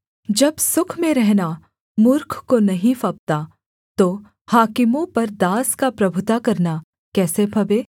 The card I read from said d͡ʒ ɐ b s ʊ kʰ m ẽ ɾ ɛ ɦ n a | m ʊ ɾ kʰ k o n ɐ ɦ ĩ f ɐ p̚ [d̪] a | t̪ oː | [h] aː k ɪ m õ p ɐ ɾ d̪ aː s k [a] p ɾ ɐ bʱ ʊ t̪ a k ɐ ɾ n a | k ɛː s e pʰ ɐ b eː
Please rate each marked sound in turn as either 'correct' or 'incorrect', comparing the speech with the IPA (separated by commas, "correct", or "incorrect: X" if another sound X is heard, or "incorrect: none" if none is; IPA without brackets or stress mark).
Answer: incorrect: t̪, correct, correct